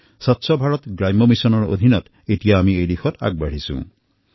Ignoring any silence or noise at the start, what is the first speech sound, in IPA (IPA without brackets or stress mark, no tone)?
s